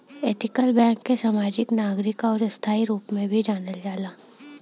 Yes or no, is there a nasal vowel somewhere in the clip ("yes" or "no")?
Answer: yes